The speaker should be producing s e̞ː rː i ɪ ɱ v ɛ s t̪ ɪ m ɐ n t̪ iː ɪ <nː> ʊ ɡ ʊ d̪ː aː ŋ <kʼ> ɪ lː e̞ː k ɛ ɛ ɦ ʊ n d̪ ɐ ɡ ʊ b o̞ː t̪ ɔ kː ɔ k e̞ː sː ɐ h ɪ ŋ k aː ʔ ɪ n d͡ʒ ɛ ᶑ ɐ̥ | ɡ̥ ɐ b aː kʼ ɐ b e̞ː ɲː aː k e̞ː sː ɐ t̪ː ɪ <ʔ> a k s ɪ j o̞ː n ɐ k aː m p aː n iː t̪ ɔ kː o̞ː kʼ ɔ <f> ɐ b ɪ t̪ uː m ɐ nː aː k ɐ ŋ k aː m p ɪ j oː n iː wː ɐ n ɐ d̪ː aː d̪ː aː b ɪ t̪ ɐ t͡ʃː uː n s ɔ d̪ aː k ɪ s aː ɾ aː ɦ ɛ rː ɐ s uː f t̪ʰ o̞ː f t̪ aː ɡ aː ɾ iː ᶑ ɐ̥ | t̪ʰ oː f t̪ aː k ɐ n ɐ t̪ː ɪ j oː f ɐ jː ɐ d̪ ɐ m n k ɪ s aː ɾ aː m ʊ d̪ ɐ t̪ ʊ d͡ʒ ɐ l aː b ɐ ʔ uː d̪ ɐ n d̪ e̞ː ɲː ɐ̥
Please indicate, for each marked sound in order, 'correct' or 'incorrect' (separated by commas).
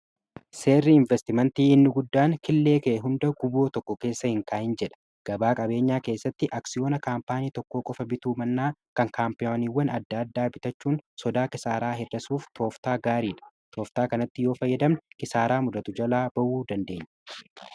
correct, incorrect, correct, correct